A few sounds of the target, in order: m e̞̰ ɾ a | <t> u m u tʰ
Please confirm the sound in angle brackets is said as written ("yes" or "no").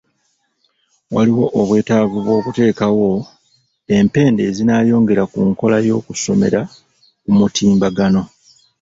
no